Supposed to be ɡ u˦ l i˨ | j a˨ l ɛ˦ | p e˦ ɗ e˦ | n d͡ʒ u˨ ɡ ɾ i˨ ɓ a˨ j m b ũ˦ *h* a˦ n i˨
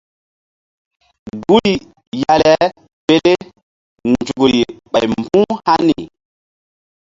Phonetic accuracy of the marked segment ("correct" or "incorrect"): correct